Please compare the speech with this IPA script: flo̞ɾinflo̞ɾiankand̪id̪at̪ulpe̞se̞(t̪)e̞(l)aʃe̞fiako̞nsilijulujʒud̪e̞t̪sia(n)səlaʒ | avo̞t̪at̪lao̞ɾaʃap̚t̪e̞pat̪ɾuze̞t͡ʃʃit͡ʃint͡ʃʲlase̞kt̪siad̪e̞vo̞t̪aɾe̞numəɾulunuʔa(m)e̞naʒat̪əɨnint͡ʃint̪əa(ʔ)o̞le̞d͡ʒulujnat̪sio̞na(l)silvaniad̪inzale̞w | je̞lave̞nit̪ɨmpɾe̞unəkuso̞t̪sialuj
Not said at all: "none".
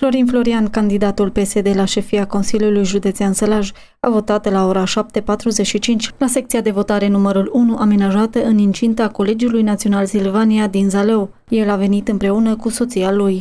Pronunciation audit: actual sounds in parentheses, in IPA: d̪, l, n, m, k, l

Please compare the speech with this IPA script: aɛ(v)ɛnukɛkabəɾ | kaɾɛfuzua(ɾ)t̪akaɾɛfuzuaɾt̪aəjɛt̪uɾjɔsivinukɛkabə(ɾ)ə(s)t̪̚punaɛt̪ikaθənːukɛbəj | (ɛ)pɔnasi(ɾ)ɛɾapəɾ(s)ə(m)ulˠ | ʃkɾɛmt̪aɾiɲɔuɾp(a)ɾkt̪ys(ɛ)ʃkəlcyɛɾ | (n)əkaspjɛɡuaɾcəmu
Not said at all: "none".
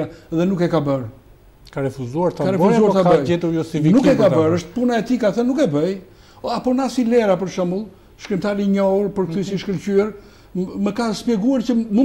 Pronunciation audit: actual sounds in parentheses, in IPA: ð, ɾ, ɾ, ʃ, a, l, ʃ, m, ə, i, m

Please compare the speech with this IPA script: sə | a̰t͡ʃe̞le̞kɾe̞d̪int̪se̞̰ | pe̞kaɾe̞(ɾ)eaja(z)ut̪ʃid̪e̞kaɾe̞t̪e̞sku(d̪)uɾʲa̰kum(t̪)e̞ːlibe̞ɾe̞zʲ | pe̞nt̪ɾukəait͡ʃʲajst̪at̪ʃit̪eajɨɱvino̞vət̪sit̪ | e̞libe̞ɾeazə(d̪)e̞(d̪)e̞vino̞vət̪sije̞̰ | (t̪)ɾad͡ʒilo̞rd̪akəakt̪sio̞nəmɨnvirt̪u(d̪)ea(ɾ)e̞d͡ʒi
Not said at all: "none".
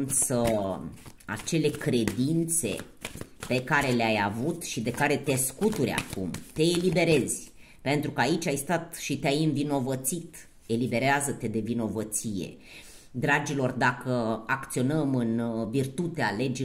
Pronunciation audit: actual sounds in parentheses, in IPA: l, v, t̪, t̪, t̪, d̪, d̪, t̪, l

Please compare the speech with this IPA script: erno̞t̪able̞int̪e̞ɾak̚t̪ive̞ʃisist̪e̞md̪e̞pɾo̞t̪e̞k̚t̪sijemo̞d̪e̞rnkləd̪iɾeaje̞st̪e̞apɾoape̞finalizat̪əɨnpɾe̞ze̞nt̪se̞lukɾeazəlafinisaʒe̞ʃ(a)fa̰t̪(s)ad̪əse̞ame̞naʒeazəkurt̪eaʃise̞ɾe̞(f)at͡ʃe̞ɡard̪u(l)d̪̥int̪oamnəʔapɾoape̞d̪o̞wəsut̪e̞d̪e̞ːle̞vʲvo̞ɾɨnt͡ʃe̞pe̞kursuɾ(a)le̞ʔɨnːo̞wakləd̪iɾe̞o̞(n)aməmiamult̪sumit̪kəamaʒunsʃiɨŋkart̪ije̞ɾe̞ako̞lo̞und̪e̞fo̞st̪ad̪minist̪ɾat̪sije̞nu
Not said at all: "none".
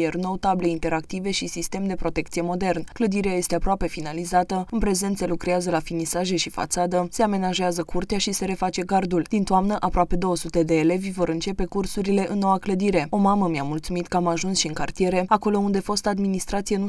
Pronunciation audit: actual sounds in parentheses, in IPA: i, s, f, l, i, m

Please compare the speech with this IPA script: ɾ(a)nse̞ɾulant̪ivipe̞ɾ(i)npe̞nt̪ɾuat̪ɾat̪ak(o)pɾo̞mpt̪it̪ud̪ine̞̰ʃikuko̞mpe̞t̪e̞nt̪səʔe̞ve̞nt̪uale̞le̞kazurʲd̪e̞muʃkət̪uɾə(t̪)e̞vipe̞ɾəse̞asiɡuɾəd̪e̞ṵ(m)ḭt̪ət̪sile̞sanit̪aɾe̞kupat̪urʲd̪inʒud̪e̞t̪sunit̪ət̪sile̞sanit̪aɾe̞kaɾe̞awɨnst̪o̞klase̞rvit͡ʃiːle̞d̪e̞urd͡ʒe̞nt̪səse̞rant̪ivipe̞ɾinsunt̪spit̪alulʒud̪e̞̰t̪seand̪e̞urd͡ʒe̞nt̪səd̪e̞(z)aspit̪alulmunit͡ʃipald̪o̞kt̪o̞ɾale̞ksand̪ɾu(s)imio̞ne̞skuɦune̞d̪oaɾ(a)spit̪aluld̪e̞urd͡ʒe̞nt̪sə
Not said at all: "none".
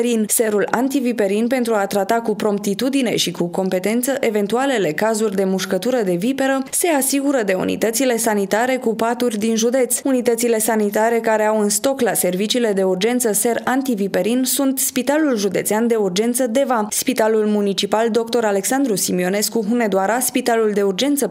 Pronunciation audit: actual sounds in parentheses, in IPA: i, i, u, d̪, n, v, s, a

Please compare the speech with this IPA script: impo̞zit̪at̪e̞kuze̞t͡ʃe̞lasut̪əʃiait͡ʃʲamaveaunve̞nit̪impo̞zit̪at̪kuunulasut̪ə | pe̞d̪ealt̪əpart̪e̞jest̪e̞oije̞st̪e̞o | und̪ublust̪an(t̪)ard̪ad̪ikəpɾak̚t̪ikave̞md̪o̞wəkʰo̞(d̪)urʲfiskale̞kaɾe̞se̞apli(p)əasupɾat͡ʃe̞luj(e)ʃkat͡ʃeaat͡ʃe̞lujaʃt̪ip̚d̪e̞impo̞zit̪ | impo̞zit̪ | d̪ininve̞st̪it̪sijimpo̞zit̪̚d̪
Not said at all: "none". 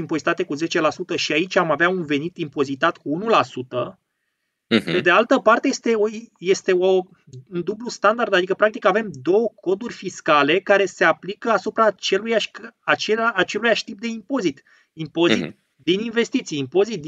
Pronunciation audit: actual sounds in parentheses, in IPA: d̪, d̪, k, a

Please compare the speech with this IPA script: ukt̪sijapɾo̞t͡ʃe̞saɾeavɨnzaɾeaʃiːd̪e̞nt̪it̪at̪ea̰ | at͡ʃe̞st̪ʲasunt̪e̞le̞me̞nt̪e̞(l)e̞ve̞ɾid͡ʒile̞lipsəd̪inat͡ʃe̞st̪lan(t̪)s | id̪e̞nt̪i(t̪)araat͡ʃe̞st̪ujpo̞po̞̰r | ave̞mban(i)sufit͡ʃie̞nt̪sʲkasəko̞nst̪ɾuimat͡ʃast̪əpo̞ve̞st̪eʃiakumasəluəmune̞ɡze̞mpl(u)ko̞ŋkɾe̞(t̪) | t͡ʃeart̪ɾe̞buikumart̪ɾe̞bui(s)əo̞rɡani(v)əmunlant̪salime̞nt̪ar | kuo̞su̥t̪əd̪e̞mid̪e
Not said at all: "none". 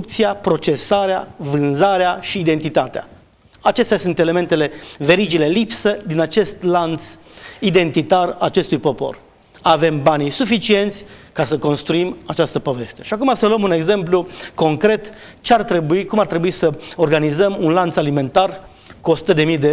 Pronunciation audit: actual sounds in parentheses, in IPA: l, t̪, t̪, i, u, t̪, s, z

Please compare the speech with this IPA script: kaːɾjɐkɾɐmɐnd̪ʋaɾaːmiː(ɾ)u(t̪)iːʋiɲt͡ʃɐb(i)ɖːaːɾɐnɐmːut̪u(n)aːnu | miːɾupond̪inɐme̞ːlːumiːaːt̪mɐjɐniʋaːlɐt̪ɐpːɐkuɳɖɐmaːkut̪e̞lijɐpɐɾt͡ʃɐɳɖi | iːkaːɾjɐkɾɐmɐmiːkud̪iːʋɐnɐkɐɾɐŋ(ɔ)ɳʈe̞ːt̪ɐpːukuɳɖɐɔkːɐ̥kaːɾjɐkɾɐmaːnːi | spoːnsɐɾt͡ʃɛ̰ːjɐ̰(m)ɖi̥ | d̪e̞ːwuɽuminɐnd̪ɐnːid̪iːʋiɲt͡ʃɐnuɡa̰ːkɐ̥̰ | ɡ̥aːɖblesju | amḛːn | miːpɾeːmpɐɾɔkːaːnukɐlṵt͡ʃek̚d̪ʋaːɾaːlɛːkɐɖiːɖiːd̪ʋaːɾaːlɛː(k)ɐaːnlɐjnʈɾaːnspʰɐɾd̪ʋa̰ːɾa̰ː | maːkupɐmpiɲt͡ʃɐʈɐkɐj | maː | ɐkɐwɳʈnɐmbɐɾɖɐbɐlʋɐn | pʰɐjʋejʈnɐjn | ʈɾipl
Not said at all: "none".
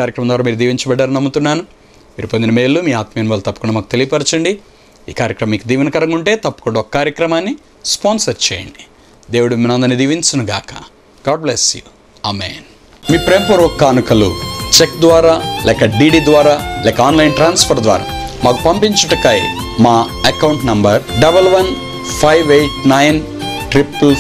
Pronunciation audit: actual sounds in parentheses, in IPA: ɾ, d̪, ɛ, nː, u, ɳ, k

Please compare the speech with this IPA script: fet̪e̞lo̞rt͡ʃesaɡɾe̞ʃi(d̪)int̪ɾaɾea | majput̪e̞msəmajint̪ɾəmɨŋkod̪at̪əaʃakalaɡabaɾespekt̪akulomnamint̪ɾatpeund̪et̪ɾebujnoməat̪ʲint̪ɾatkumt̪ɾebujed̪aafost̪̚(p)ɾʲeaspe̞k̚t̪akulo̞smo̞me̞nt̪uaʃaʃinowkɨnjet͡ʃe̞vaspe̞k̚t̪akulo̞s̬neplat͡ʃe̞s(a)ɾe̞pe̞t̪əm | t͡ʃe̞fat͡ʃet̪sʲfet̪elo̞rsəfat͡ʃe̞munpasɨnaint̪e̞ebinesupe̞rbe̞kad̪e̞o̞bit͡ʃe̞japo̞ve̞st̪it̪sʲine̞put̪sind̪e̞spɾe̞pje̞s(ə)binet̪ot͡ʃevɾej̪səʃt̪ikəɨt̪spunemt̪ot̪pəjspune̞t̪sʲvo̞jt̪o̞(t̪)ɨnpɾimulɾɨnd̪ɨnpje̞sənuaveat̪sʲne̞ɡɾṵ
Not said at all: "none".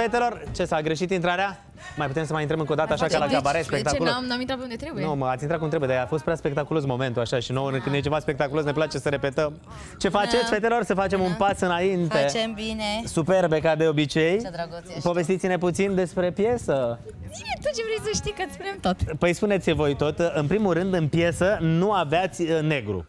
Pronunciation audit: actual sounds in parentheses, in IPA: t̪, p, ə, ə, t̪

